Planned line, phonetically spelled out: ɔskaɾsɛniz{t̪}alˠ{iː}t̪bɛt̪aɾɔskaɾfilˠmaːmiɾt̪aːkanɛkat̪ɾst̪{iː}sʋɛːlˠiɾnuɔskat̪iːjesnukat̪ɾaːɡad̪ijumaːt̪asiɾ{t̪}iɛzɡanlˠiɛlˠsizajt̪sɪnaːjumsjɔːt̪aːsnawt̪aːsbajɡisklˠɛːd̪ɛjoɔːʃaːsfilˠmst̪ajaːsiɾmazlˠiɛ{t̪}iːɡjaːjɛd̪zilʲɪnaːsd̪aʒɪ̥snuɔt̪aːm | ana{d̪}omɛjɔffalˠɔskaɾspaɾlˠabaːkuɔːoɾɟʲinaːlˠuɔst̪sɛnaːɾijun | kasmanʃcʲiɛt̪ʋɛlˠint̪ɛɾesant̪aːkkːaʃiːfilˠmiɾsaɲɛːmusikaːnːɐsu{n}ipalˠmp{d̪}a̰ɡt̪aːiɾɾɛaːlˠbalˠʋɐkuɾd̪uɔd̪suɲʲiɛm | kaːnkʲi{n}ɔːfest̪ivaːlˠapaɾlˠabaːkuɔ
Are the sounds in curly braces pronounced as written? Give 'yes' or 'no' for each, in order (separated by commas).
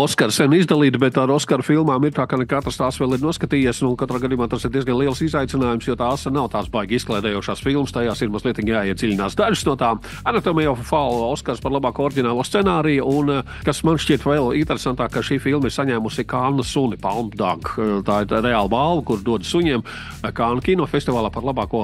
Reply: no, yes, no, no, yes, no, yes, yes, yes